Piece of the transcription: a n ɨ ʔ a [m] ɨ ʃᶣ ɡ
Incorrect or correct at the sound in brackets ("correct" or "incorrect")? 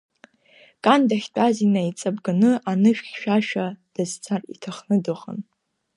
incorrect